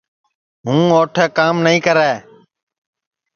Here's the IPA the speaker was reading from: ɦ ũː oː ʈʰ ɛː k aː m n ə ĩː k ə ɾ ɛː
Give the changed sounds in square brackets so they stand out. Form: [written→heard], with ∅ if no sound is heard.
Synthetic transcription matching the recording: ɦ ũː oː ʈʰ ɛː k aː m n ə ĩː k ə ɾ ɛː

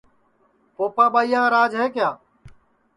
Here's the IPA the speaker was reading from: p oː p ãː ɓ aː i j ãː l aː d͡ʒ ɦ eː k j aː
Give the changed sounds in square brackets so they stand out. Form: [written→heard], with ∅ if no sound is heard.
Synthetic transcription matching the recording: p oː p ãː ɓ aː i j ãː [l→ɾ] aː d͡ʒ ɦ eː k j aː

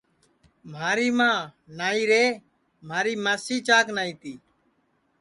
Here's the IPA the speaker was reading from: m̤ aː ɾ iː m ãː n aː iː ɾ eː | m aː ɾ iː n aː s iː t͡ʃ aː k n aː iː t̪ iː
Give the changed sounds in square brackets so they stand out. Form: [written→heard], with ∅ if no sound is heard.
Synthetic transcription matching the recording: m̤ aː ɾ iː m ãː n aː iː ɾ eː | m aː ɾ iː [n→m] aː s iː t͡ʃ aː k n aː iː t̪ iː

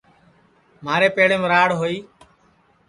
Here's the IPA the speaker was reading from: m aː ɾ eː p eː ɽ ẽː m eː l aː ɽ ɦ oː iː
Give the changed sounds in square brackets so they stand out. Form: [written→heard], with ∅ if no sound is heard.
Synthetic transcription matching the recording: m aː ɾ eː p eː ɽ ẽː m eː [l→ɾ] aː ɽ ɦ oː iː

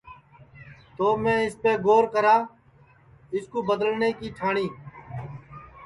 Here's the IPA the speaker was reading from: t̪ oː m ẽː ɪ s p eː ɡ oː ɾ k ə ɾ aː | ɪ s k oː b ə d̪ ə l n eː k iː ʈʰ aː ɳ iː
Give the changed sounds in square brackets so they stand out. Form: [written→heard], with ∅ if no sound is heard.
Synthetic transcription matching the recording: t̪ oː m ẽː ɪ s p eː ɡ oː ɾ k ə ɾ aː | ɪ s k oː b ə d̪ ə l n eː k iː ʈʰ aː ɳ iː

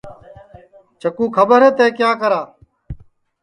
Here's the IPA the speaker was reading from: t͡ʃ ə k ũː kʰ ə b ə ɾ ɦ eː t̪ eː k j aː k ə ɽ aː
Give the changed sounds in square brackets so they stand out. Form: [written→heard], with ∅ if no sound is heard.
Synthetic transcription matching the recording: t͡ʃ ə k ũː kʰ ə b ə ɾ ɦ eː t̪ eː k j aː k ə [ɽ→ɾ] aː

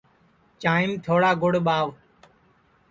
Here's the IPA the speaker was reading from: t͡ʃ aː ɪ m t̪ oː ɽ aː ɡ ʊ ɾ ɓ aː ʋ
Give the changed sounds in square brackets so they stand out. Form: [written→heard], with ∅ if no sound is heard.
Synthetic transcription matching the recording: t͡ʃ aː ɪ m [t̪→t̪ʰ] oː ɽ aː ɡ ʊ [ɾ→ɽ] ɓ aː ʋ

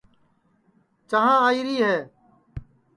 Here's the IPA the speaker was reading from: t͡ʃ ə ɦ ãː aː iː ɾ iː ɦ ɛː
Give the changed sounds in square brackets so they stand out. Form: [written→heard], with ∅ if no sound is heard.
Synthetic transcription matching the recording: t͡ʃ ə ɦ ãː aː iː ɾ iː ɦ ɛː

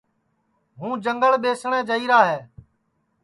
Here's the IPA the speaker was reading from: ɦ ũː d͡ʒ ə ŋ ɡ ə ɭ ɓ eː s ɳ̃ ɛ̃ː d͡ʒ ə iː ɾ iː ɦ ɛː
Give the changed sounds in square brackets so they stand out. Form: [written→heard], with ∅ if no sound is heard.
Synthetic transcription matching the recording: ɦ ũː d͡ʒ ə ŋ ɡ ə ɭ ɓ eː s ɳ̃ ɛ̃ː d͡ʒ ə iː ɾ [iː→aː] ɦ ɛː

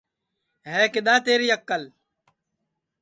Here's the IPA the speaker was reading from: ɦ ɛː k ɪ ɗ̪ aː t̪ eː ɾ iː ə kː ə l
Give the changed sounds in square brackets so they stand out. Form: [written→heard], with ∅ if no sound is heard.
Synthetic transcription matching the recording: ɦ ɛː k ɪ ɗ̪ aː t̪ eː ɾ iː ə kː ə l

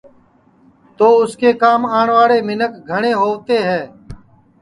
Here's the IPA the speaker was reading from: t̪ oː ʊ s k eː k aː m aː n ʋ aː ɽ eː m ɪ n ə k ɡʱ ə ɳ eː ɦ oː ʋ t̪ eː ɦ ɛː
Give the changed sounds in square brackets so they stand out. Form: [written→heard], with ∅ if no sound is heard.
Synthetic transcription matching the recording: t̪ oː ʊ s k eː k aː m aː [n→ɳ] ʋ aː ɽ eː m ɪ n ə k ɡʱ ə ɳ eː ɦ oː ʋ t̪ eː ɦ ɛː

